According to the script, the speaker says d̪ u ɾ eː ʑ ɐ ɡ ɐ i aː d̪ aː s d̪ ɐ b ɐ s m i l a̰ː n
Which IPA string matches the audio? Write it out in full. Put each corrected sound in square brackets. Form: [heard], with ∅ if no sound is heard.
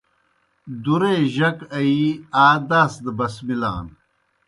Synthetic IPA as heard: d̪ u ɾ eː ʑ ɐ [k] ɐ i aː d̪ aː s d̪ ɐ b ɐ s m i l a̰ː n